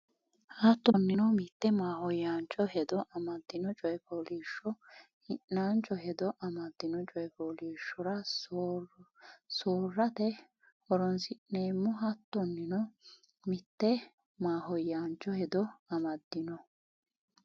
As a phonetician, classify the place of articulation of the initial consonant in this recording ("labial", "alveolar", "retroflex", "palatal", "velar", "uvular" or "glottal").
glottal